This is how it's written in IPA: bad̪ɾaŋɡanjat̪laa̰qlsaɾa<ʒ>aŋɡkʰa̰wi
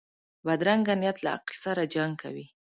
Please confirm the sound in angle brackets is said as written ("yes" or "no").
no